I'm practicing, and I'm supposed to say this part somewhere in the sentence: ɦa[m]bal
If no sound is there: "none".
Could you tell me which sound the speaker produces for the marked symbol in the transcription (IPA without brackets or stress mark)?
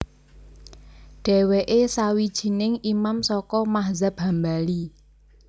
m